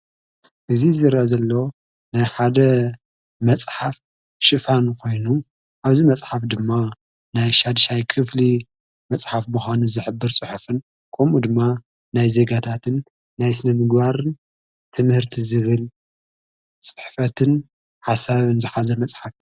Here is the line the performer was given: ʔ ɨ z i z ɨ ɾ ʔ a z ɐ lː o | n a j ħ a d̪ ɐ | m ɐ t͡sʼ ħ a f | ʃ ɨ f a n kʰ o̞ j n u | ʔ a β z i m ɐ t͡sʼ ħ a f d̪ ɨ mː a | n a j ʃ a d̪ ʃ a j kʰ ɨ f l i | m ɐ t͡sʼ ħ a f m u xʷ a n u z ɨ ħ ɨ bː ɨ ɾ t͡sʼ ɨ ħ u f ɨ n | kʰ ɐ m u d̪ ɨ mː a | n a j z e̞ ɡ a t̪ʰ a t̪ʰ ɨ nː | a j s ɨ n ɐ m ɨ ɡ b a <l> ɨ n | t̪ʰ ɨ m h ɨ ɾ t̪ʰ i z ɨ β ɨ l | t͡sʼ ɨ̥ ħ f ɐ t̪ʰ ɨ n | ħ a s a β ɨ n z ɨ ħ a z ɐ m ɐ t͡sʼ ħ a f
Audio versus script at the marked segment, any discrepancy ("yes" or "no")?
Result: yes